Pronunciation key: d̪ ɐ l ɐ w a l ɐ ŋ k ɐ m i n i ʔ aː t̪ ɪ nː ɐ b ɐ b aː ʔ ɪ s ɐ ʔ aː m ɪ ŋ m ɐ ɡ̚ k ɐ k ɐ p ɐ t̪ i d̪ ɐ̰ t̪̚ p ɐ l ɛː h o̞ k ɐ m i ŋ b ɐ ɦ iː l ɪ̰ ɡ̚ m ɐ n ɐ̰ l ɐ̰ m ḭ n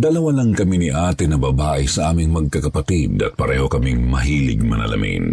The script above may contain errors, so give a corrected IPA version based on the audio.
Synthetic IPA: d̪ ɐ l ɐ w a l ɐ ŋ k ɐ m i n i ʔ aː t̪ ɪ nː ɐ b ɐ b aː ʔ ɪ s ɐ ʔ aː m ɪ ŋ m ɐ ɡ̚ k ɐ k ɐ p ɐ t̪ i d̪ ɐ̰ t̪̚ p ɐ ɾ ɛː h o̞ k ɐ m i ŋ m ɐ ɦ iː l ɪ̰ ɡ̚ m ɐ n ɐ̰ l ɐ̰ m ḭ n